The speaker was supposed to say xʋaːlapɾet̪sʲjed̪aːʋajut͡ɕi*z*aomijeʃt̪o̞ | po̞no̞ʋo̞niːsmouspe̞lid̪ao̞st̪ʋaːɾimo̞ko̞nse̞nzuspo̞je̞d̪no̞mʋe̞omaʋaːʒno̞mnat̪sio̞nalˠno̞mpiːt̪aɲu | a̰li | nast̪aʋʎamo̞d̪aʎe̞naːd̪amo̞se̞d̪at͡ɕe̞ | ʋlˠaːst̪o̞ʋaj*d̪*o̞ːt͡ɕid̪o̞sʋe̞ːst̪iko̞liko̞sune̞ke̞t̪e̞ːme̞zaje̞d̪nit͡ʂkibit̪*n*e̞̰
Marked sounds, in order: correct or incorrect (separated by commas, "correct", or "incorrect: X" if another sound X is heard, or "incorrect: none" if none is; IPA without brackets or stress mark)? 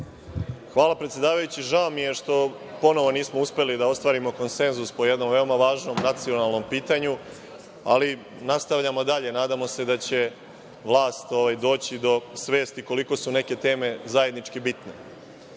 incorrect: ʒ, correct, correct